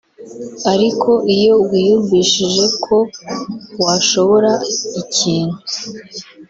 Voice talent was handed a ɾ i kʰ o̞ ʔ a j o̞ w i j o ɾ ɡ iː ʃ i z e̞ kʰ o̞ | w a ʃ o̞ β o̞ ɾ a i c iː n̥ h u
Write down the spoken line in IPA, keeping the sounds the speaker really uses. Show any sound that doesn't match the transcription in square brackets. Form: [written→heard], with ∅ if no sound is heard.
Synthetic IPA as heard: a ɾ i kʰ o̞ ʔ [a→i] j o̞ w i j [o→u] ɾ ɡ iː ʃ i [z→ʒ] e̞ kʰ o̞ | w a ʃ o̞ β o̞ ɾ a i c iː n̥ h u